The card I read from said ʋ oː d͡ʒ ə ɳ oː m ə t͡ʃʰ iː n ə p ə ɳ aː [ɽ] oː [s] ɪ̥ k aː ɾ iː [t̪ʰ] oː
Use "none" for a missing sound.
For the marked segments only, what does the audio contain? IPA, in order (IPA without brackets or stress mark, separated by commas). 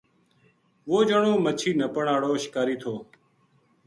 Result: ɽ, ʃ, t̪ʰ